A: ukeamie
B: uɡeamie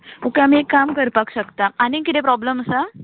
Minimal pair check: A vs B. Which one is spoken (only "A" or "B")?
A